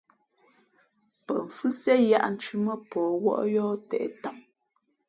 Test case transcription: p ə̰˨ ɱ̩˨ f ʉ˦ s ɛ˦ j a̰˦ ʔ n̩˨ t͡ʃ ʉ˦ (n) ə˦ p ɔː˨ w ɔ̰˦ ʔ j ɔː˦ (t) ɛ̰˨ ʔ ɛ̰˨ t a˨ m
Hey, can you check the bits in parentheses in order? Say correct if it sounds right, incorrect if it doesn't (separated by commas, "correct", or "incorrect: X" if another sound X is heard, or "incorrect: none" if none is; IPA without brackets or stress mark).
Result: incorrect: m, correct